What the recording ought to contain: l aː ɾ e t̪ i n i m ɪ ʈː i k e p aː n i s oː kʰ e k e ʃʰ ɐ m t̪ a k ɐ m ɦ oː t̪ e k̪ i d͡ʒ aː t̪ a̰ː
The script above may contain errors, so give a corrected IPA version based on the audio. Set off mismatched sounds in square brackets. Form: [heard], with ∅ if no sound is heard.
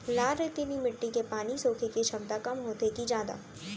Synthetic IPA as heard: l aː ɾ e t̪ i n i m ɪ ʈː i k e p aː n i s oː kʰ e k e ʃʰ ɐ m t̪ a k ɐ m ɦ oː t̪ e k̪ i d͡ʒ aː [d̪] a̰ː

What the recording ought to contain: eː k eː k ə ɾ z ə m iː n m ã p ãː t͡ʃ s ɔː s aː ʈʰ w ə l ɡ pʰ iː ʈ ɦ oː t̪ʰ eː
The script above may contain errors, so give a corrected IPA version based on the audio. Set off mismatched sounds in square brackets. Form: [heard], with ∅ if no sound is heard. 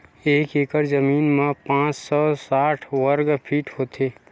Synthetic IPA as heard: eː k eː k ə ɾ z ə m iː n m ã p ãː t͡ʃ s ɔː s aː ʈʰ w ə [ɾ] ɡ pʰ iː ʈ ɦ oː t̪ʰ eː

